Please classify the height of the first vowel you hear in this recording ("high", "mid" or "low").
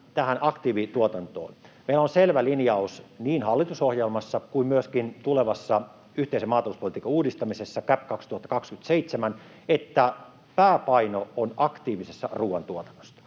low